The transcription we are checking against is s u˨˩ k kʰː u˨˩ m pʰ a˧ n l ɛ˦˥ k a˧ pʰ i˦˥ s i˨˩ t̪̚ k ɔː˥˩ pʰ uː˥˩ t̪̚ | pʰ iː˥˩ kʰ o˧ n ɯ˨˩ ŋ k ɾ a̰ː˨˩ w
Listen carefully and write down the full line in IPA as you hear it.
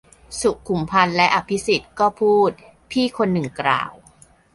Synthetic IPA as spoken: s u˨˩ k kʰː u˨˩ m pʰ a˧ n l ɛ˦˥ ʔ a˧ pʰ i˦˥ s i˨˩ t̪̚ k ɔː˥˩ pʰ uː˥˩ t̪̚ | pʰ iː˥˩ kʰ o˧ nː ɯ˨˩ ŋ k ɾ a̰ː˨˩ w